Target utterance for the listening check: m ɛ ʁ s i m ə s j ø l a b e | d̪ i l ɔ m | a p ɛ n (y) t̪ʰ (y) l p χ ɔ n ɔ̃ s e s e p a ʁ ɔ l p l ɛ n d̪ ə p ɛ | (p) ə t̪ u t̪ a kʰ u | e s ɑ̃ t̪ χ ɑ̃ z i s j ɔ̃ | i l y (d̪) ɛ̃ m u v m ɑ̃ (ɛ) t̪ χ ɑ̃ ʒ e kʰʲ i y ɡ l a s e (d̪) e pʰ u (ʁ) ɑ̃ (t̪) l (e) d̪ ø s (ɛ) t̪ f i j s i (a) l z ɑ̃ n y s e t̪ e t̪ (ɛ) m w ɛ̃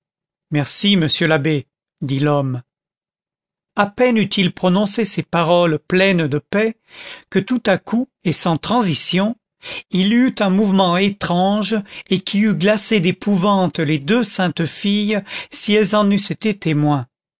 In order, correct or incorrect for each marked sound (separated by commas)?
correct, incorrect, incorrect, incorrect, incorrect, correct, incorrect, correct, correct, incorrect, incorrect, incorrect